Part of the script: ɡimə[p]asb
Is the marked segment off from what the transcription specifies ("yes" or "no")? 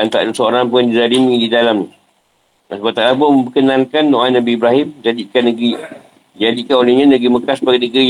yes